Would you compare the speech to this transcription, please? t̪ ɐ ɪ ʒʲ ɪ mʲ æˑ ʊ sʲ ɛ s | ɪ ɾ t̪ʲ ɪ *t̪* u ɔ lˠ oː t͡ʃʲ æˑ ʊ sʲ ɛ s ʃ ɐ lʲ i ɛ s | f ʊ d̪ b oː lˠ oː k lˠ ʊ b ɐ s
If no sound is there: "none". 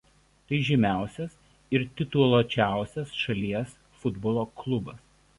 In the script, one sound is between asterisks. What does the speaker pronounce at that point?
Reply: t̪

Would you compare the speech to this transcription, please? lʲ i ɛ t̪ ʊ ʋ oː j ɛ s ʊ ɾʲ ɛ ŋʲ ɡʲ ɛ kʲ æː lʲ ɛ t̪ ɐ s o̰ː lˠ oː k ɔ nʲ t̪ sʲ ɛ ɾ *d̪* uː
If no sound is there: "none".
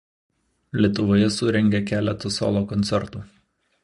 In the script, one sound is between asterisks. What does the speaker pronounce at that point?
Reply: t̪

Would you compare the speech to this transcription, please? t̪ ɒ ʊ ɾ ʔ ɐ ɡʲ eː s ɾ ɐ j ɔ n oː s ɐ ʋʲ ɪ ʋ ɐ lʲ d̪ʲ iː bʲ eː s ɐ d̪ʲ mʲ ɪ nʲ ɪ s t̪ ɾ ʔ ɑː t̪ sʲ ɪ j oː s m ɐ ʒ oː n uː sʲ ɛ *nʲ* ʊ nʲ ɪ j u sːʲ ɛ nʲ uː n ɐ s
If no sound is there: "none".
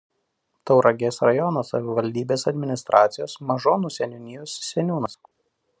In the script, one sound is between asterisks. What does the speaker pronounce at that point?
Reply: nʲ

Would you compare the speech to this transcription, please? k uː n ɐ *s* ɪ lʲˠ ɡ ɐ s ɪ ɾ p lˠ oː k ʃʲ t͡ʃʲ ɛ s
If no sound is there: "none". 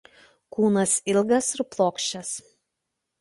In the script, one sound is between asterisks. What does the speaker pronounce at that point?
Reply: s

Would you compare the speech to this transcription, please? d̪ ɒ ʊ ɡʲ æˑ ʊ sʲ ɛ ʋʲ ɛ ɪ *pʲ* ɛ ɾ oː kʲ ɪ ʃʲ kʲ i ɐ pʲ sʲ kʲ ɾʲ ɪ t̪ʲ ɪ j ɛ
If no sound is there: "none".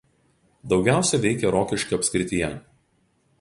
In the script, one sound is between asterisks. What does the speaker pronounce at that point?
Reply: kʲ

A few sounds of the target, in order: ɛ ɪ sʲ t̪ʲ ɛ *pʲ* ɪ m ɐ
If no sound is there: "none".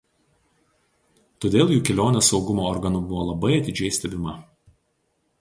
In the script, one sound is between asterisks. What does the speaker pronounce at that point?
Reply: bʲ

